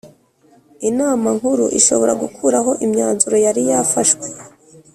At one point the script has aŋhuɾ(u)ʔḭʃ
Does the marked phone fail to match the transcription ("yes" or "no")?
no